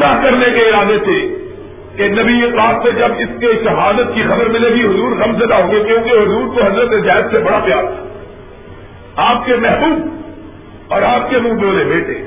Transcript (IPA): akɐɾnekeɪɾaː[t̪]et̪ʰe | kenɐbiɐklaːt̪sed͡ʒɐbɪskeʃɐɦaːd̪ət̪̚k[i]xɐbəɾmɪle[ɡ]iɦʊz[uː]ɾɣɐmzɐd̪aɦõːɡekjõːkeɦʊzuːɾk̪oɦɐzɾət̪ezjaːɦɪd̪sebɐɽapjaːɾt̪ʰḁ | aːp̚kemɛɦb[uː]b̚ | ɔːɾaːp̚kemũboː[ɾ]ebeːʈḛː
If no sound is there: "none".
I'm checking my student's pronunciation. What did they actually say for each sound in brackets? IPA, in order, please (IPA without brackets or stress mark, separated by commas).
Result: d̪, i, ɡ, uː, uː, l